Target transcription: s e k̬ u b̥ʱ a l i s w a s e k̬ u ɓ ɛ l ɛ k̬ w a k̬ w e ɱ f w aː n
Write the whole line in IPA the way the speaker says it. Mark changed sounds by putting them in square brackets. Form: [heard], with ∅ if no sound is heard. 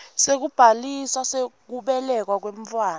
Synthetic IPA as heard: s e k̬ u b̥ʱ a l i s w a s e k̬ u ɓ ɛ l ɛ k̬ w a k̬ w e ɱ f w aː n